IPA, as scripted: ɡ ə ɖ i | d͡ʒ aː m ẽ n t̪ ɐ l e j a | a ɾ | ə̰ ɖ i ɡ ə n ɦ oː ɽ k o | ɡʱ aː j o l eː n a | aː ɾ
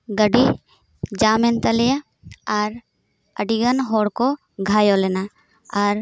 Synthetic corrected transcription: ɡ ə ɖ i | d͡ʒ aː m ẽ n t̪ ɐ l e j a | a ɾ | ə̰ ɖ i ɡ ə n ɦ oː ɽ k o | ɡʱ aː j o l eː n a | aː ɾ